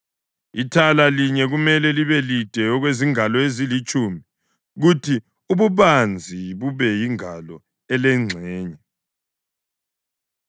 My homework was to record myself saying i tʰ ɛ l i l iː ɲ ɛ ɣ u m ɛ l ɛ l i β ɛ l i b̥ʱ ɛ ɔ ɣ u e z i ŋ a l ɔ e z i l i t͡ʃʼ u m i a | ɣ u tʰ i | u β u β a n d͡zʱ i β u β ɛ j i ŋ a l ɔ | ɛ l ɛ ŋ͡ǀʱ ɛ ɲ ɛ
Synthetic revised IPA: i tʰ a l a l i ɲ ɛ ɣ u m ɛ l ɛ l i β ɛ l i d̥ʱ ɛ ɔ ɣ w e z i ŋ a l ɔ e z i l i t͡ʃʼ u m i i | ɣ u tʰ i | u β u β a n d͡zʱ i β u β ɛ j i ŋ a l ɔ | ɛ l ɛ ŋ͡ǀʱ ɛː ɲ ɛ

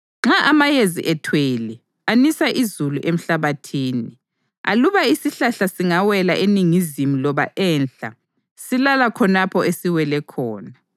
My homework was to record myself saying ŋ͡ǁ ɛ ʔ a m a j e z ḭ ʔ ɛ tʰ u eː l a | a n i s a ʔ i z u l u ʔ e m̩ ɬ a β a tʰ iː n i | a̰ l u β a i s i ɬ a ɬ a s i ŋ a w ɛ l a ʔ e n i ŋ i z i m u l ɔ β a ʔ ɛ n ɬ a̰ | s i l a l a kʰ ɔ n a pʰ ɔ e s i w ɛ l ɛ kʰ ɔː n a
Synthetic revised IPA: ŋ͡ǁ a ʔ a m a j e z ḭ ʔ ɛ tʰ w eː l i | a n i s a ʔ i z u l u ʔ e m̩ ɬ a β a tʰ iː n i | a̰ l u β a i s i ɬ a ɬ a s i ŋ a w ɛ l a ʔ e n i ŋ i z i m u l ɔ β a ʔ ɛ n ɬ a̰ | s i l a l a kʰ ɔ n a pʰ ɔ e s i w ɛ l ɛ kʰ ɔː n a

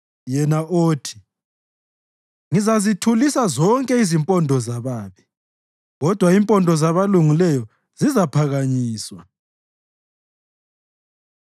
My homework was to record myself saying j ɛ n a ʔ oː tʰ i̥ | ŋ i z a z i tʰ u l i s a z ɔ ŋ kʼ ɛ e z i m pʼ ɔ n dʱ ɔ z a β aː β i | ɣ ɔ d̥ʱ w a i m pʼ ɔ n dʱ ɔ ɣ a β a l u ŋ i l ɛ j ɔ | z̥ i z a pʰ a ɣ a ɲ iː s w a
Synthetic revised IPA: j ɛ n a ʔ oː tʰ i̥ | ŋ i z a z i tʰ u l i s a z ɔ ŋ kʼ ɛ i z i m pʼ ɔ n dʱ ɔ z a β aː β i | ɣ ɔ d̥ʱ w a i m pʼ ɔ n dʱ ɔ z a β a l u ŋ i l ɛ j ɔ | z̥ i z a pʰ a ɣ a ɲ iː s w a

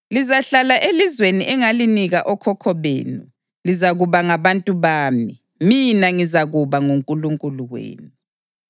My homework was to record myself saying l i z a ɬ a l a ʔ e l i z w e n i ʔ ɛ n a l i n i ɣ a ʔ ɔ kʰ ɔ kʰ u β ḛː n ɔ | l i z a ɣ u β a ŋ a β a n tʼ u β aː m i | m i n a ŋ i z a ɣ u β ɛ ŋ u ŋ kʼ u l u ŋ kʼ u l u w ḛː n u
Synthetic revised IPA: l i z a ɬ a l a ʔ e l i z w e n i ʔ ɛ ŋ a l i n i ɣ a ʔ ɔ kʰ ɔ kʰ ɔ β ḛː n u | l i z a ɣ u β a ŋ a β a n tʼ u β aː m i | m i n a ŋ i z a ɣ u β a ŋ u ŋ kʼ u l u ŋ kʼ u l u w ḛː n u

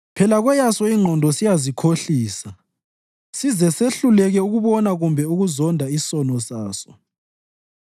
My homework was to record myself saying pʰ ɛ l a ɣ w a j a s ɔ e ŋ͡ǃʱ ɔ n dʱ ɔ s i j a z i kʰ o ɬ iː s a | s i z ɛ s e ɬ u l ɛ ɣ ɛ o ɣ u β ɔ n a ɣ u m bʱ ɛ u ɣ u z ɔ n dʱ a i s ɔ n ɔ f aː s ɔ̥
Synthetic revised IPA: pʰ ɛ l a ɣ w ɛ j a s ɔ i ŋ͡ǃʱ ɔ n dʱ ɔ s i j a z i kʰ o ɬ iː s a | s i z ɛ s e ɬ u l ɛ ɣ ɛ u ɣ u β ɔ n a ɣ u m bʱ ɛ u ɣ u z ɔ n dʱ a i s ɔ n ɔ s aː s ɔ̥

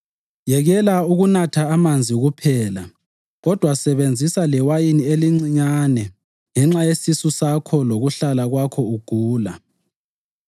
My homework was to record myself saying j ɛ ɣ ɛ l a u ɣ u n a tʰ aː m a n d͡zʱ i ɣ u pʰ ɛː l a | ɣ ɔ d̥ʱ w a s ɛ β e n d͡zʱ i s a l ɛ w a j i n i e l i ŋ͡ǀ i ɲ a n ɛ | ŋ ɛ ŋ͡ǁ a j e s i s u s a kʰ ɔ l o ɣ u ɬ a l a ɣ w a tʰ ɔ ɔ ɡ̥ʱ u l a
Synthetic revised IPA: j ɛ ɣ ɛ l a u ɣ u n a tʰ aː m a n d͡zʱ i ɣ u pʰ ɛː l a | ɣ ɔ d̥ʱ w a s ɛ β e n d͡zʱ i s a l ɛ w a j i n i e l i ŋ͡ǀ i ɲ a n ɛ | ŋ ɛ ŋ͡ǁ a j e s i s u s a kʰ ɔ l o ɣ u ɬ a l a ɣ w a kʰ ɔ u ɡ̥ʱ uː l a

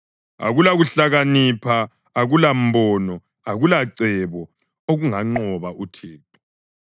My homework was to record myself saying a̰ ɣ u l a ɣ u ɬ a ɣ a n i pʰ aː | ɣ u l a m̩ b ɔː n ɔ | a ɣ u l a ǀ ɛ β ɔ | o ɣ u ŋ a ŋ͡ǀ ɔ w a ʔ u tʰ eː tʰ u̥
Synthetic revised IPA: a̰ ɣ u l a ɣ u ɬ a ɣ a n i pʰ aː | ɣ u l a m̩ b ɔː n ɔ | a ɣ u l a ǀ ɛ β ɔ | o ɣ u ŋ a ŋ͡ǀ ɔ β a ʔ u tʰ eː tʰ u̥

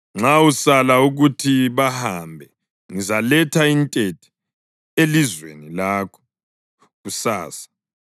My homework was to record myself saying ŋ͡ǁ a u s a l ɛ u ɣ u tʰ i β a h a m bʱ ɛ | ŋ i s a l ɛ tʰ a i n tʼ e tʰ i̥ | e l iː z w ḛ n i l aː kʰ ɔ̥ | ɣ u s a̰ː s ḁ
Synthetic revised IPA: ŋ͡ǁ a u s a l a u ɣ u tʰ i β a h a m bʱ ɛ | ŋ i z a l ɛ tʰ a i n tʼ e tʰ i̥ | e l i z w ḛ n i l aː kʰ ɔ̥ | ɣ u s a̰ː s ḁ

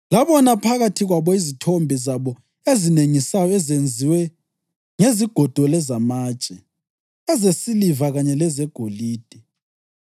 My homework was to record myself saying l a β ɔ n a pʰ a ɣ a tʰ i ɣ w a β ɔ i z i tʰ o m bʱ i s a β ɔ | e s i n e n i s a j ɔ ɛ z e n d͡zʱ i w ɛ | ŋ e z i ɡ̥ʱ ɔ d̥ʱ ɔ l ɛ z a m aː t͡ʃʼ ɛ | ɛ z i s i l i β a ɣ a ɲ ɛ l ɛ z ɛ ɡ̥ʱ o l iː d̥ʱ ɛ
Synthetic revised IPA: l a β ɔ n a pʰ a ɣ a tʰ i ɣ w a β ɔ i z i tʰ o m bʱ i z a β ɔ | e z i n e ŋ i s a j ɔ ɛ z e n d͡zʱ i w ɛ | ŋ e z i ɡ̥ʱ ɔ d̥ʱ ɔ l ɛ z a m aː t͡ʃʼ ɛ | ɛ z e s i l i v a ɣ a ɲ ɛ l ɛ z ɛ ɡ̥ʱ o l iː d̥ʱ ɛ

